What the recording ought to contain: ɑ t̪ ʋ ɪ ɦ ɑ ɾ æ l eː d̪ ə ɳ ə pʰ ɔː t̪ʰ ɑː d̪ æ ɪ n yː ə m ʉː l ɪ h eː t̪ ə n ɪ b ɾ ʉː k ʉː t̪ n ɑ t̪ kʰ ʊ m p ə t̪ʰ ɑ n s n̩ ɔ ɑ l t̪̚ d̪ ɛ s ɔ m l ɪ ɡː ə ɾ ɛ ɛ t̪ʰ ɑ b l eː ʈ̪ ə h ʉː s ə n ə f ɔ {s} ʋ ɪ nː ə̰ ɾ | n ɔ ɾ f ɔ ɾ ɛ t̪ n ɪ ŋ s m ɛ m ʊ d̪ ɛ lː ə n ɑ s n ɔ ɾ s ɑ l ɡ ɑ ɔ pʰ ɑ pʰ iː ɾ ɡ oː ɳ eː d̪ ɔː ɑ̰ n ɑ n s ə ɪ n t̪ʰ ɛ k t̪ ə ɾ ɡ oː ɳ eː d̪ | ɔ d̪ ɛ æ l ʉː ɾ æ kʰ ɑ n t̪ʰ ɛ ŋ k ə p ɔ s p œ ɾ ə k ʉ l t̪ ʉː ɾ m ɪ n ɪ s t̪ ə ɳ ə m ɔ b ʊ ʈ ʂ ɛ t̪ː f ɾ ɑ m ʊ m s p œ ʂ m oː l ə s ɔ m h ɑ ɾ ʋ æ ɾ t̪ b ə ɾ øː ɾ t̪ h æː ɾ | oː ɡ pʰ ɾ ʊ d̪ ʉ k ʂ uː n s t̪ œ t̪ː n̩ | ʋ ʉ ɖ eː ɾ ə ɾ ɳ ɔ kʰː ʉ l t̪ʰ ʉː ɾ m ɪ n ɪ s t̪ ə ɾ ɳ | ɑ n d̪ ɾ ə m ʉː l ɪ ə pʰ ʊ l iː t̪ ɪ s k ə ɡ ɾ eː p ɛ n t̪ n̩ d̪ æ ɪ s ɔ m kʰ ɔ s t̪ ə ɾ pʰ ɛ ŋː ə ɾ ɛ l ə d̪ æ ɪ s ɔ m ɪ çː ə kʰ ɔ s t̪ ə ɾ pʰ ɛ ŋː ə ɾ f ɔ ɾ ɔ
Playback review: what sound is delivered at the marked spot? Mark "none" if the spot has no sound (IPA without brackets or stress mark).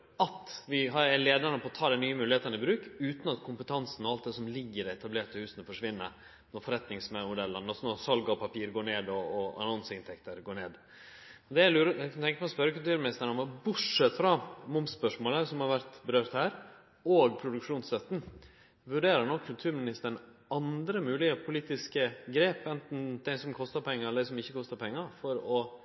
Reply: ʂ